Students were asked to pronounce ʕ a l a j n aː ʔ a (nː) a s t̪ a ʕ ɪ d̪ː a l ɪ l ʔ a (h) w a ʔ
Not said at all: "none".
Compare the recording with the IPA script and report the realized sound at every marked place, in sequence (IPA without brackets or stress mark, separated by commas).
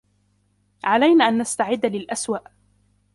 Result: nː, s